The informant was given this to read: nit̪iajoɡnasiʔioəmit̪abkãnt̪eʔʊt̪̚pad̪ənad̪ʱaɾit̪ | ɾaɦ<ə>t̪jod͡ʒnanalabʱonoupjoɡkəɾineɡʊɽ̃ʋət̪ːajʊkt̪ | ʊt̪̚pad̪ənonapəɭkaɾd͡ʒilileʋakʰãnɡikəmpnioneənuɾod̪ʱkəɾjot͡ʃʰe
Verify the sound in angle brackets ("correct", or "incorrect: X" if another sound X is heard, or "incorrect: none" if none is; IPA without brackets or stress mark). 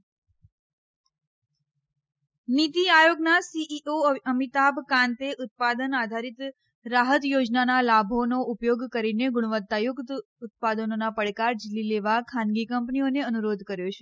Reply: correct